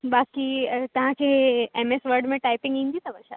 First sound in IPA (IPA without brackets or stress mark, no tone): b